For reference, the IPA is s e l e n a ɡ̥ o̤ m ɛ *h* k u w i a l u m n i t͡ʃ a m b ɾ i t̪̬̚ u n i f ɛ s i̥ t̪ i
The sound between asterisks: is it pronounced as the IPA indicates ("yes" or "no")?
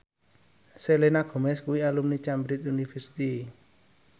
no